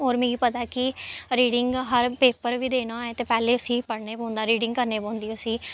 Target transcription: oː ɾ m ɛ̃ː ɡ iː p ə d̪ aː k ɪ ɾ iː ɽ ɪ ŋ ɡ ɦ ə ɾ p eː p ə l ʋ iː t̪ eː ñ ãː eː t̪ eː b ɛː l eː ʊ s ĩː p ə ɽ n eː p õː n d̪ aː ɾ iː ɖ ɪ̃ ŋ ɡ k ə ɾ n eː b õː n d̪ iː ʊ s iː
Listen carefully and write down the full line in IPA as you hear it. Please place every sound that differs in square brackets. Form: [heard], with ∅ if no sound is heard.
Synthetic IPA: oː ɾ m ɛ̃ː ɡ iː p ə [t̪] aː k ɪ ɾ iː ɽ ɪ ŋ ɡ ɦ ə ɾ p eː p ə [ɾ] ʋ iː [d̪] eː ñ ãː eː t̪ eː [p] ɛː l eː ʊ s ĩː p ə ɽ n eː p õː n d̪ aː ɾ iː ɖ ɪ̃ ŋ ɡ k ə ɾ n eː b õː n d̪ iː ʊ s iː